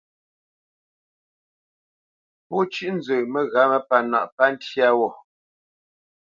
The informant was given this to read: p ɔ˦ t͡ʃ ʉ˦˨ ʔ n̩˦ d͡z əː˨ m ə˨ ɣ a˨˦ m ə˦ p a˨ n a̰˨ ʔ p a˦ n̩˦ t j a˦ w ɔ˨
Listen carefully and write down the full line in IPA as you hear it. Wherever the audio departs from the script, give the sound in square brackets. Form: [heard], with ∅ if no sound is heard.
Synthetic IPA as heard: p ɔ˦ t͡ʃ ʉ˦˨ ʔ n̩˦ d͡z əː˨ m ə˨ ɣ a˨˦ m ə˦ p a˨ n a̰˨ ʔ p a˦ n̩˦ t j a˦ w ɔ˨